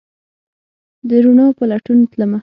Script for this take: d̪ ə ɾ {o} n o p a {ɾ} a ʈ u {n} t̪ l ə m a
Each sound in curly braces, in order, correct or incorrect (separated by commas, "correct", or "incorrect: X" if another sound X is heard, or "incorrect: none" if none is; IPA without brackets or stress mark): incorrect: u, incorrect: l, correct